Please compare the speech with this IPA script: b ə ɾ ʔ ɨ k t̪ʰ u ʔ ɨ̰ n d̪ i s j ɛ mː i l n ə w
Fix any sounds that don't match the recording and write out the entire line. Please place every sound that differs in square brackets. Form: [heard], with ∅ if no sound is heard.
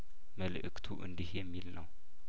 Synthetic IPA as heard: [m] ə [l] ʔ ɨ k t̪ʰ u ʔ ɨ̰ n d̪ i [h] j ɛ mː i l n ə w